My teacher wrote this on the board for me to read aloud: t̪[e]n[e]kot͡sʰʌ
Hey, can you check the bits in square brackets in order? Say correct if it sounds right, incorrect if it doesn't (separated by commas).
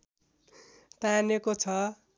incorrect, correct